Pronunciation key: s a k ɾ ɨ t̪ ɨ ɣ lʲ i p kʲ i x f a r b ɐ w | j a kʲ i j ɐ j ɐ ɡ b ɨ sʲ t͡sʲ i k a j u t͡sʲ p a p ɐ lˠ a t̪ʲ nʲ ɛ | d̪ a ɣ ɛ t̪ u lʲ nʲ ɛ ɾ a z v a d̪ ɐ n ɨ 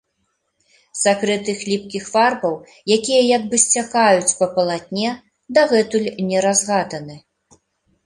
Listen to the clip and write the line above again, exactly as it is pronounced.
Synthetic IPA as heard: s a k ɾ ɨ t̪ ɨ x lʲ i p kʲ i x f a r b ɐ w | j a kʲ i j ɐ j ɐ ɡ b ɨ sʲ t͡sʲ a k a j u t͡sʲ p ɐ p ɐ lˠ a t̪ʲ nʲ ɛ | d̪ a ɣ ɛ t̪ u lʲ nʲ ɛ ɾ a z ɣ a d̪ ɐ n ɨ